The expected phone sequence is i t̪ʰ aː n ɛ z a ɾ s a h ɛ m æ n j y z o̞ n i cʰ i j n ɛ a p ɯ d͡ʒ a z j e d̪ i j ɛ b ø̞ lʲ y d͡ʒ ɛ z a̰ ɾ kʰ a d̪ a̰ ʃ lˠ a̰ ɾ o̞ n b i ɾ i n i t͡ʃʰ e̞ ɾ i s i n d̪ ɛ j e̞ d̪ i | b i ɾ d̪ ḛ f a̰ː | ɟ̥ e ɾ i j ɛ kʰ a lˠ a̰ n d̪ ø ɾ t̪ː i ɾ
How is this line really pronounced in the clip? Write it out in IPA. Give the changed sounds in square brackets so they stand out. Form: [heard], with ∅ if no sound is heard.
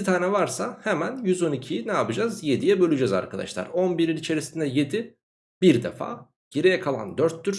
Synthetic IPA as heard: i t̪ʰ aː n ɛ [v] a ɾ s a h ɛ m æ n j y z o̞ n i cʰ i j n ɛ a p ɯ d͡ʒ a z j e d̪ i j ɛ b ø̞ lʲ y d͡ʒ ɛ z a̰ ɾ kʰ a d̪ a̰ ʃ lˠ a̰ ɾ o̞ n b i ɾ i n i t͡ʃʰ e̞ ɾ i s i n d̪ ɛ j e̞ d̪ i | b i ɾ d̪ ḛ f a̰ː | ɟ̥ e ɾ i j ɛ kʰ a lˠ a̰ n d̪ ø ɾ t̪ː [y] ɾ

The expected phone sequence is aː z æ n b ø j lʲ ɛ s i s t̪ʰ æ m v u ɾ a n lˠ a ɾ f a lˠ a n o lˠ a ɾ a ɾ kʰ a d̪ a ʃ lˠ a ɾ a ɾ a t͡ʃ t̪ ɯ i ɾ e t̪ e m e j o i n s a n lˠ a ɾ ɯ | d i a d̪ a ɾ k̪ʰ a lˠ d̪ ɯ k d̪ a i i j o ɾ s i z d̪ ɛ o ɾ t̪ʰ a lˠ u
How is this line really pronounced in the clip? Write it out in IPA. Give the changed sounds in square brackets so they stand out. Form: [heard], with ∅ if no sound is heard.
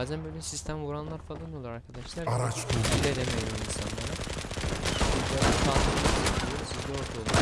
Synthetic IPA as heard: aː z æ n b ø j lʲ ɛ s i s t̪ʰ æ m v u ɾ a n lˠ a ɾ f a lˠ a n o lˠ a ɾ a ɾ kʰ a d̪ a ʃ lˠ a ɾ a ɾ a t͡ʃ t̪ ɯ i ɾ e [d̪] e m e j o i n s a n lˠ a ɾ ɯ | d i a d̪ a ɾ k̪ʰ a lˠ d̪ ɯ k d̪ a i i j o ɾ s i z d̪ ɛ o ɾ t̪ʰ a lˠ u

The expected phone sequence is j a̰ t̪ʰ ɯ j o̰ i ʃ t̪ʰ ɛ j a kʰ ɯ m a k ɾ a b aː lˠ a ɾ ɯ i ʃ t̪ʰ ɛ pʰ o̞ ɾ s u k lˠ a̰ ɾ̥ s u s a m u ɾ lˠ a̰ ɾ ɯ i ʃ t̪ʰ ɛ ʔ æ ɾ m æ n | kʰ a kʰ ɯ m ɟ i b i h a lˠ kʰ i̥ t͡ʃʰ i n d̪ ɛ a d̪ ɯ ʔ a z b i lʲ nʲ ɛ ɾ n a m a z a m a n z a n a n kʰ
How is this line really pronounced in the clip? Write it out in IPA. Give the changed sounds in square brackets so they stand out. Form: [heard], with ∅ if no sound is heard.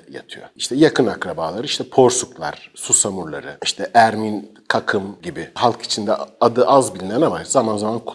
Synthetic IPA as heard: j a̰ t̪ʰ ɯ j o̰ i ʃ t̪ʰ ɛ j a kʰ ɯ [n] a k ɾ a b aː lˠ a ɾ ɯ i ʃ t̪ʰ ɛ pʰ o̞ ɾ s u k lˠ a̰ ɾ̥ s u s a m u ɾ lˠ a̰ ɾ ɯ i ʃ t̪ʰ ɛ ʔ æ ɾ m [i] n | kʰ a kʰ ɯ m ɟ i b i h a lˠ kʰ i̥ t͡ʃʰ i n d̪ ɛ a d̪ ɯ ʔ a z b i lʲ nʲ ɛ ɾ n a m a z a m a n z a [m] a n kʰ

